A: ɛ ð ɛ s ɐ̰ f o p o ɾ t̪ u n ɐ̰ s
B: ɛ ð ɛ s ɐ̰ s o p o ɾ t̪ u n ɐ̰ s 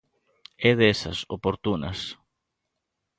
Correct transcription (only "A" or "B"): B